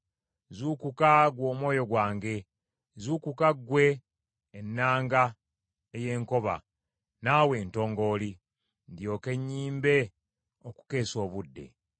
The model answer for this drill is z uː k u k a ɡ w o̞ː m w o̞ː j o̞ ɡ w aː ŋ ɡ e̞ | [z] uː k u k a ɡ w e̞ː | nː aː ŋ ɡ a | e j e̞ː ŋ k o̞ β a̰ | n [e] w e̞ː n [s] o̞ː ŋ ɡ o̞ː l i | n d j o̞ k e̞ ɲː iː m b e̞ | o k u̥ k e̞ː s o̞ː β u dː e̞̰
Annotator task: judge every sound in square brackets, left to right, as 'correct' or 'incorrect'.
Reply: correct, incorrect: a, incorrect: t

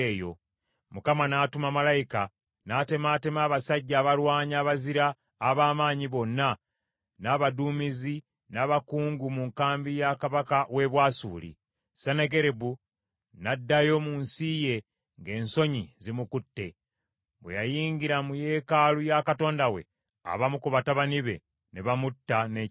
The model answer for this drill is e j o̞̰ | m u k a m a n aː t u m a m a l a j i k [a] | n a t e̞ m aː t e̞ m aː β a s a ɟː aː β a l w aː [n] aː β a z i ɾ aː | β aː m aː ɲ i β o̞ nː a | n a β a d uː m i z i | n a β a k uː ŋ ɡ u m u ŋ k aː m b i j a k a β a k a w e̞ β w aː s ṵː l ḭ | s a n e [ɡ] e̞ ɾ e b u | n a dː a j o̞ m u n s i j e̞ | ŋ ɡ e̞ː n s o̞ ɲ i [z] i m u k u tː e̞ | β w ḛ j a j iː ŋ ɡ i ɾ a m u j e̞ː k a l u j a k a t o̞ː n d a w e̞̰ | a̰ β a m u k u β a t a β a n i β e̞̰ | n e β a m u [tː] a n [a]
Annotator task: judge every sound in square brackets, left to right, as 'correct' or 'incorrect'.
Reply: correct, incorrect: ɲ, correct, correct, correct, incorrect: e

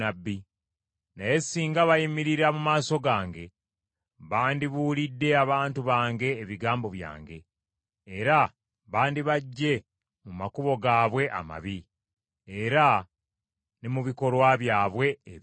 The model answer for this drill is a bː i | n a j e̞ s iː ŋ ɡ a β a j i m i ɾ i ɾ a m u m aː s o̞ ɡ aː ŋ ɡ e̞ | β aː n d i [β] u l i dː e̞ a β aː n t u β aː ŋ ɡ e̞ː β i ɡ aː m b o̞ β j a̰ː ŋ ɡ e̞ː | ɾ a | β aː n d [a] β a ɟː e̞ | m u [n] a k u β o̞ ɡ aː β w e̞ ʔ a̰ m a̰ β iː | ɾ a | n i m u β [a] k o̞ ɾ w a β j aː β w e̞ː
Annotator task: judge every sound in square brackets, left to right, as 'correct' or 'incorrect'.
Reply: correct, incorrect: i, incorrect: m, incorrect: i

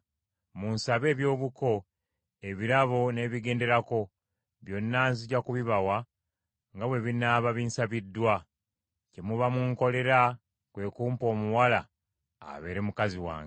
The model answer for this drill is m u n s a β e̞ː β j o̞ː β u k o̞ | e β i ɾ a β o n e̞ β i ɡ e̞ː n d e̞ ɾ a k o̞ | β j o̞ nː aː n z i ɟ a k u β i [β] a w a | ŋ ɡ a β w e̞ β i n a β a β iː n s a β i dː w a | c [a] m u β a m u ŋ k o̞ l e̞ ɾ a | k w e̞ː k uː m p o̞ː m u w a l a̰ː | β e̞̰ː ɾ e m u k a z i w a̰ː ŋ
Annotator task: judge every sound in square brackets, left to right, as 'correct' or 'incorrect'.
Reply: correct, incorrect: e

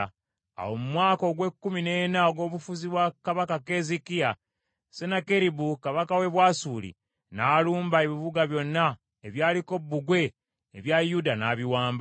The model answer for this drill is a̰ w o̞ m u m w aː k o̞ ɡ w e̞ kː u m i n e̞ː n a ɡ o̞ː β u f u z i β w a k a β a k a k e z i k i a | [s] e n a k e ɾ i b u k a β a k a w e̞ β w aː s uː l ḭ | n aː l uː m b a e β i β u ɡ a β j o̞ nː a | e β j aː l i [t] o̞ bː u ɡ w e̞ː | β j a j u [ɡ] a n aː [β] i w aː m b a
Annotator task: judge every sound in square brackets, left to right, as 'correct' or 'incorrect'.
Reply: correct, incorrect: k, incorrect: d, correct

